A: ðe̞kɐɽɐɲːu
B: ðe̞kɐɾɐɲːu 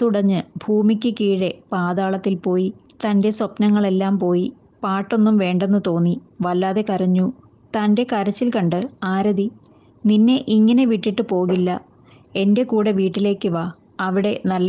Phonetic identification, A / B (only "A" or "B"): B